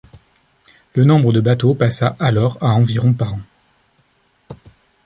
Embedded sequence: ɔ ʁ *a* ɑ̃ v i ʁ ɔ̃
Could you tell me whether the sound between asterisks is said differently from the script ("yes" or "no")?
no